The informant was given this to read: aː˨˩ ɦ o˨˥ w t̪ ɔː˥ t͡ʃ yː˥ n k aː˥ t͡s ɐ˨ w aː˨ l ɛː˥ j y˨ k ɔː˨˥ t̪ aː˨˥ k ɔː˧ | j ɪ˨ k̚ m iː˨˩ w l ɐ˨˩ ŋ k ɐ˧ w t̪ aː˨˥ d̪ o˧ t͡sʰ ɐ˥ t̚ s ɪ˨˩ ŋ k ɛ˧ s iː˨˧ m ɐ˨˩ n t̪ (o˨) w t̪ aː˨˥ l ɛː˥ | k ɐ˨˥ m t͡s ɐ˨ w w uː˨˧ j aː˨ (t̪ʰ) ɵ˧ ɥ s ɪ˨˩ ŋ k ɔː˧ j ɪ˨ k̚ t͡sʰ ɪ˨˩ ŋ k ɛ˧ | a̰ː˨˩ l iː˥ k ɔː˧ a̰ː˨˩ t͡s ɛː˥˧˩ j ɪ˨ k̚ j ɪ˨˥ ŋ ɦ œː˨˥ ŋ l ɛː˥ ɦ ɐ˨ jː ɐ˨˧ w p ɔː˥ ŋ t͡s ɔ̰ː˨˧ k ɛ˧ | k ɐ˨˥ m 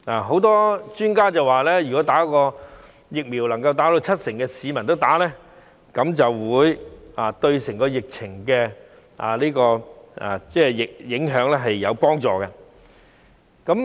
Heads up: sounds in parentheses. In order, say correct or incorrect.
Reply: incorrect: o˥, incorrect: t̪

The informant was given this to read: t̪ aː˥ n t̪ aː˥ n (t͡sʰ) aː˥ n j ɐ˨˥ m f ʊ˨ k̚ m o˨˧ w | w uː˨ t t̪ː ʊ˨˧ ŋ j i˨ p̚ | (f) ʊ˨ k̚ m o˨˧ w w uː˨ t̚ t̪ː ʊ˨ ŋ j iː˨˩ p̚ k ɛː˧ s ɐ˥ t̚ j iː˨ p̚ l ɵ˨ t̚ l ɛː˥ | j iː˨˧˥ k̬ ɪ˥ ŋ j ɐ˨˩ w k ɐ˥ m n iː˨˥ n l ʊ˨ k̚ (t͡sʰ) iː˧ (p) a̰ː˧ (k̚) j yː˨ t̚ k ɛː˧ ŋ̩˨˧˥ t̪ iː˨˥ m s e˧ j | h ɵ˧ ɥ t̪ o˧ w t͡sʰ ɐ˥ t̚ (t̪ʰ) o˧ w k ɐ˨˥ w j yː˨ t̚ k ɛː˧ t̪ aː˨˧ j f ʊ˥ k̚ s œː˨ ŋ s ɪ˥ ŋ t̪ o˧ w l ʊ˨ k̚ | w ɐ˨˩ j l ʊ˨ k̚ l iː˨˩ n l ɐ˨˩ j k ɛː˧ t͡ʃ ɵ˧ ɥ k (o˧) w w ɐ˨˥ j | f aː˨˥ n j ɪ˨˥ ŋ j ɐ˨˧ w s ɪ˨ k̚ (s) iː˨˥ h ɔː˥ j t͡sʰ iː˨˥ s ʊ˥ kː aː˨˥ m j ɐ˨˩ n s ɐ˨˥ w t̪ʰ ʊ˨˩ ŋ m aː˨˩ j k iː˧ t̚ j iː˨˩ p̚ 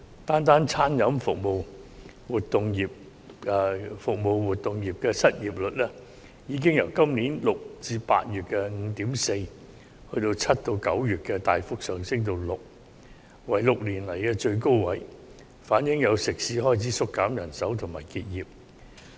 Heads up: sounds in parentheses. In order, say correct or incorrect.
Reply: correct, correct, incorrect: t͡s, correct, incorrect: t̚, incorrect: t̪, incorrect: o˥, correct

